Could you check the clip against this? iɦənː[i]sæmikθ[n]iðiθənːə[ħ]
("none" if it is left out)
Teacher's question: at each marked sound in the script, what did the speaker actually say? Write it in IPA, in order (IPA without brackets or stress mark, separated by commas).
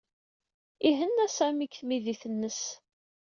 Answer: æ, m, s